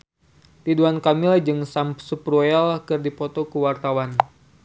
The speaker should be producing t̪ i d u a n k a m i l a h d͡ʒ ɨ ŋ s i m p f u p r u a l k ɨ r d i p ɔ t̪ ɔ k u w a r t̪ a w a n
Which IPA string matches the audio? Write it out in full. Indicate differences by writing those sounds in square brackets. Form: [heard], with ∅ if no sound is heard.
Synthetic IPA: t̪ i d u a n k a m i l a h d͡ʒ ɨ ŋ s [a] m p [s] u p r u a l k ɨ r d i p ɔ t̪ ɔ k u w a r t̪ a w a n